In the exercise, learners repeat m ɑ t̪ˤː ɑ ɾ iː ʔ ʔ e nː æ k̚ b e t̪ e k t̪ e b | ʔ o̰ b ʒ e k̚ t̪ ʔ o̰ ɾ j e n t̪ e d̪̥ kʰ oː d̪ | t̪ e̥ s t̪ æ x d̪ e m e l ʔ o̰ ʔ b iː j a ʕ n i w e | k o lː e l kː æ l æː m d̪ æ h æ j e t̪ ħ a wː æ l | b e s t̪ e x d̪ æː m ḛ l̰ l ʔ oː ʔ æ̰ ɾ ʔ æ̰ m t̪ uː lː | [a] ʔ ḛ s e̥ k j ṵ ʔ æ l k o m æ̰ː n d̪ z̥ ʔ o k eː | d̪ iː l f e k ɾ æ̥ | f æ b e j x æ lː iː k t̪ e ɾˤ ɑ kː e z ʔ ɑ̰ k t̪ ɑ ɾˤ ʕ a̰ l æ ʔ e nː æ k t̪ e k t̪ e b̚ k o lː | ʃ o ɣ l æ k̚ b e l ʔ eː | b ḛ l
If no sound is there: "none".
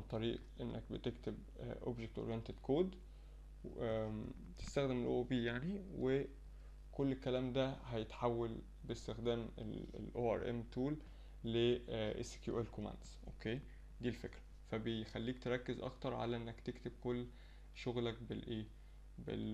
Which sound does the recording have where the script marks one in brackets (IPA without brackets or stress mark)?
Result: e